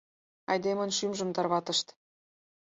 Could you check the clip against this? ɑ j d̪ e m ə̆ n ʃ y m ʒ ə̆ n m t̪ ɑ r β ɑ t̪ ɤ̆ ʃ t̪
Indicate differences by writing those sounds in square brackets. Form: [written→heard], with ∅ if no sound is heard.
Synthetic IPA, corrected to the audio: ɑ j d̪ e m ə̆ n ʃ y m ʒ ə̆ [n→∅] m t̪ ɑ r β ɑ t̪ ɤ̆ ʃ t̪